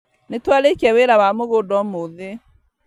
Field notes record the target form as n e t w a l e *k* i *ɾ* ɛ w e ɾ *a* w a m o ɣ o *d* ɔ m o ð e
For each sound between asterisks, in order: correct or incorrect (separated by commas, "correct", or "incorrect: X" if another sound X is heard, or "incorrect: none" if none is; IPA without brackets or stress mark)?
correct, incorrect: none, correct, correct